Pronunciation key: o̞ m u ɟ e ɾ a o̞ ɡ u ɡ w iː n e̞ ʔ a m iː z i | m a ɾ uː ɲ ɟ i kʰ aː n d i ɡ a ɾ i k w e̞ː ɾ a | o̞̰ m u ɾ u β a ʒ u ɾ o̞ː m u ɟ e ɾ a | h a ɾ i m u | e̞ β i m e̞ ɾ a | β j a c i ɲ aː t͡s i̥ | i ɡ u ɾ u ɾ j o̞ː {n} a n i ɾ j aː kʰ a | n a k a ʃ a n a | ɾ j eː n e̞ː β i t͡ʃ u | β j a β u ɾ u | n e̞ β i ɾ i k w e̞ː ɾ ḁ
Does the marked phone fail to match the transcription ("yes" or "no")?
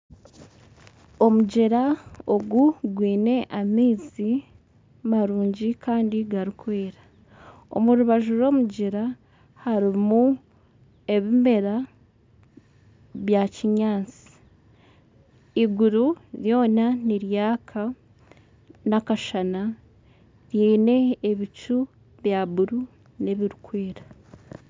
no